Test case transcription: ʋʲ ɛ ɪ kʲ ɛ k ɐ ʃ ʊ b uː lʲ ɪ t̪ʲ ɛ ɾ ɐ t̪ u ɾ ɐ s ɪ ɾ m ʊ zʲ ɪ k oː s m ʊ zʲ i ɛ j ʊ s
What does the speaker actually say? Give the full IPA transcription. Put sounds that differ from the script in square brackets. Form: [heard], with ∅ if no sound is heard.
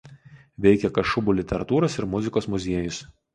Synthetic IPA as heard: ʋʲ ɛ ɪ kʲ ɛ k ɐ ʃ ʊ b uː lʲ ɪ t̪ʲ ɛ ɾ ɐ t̪ [uː] ɾ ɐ s ɪ ɾ m ʊ zʲ ɪ k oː s m ʊ zʲ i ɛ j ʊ s